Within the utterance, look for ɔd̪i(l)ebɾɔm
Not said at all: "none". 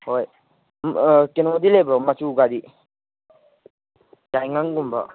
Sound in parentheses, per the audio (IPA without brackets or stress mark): l